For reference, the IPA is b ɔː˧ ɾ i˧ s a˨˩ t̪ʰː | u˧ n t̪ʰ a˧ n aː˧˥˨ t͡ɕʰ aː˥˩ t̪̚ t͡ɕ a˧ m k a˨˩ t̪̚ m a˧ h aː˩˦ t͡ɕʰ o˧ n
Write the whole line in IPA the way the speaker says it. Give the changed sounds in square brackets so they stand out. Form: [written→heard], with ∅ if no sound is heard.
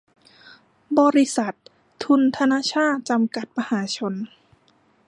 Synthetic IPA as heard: b ɔː˧ ɾ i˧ s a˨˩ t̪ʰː | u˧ n t̪ʰ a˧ n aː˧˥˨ t͡ɕʰ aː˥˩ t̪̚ t͡ɕ a˧ m k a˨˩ t̪̚ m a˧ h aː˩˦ t͡ɕʰ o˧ n